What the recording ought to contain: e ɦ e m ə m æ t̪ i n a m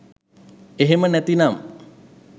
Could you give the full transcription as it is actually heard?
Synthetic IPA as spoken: e ɦ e m ə n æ t̪ i n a m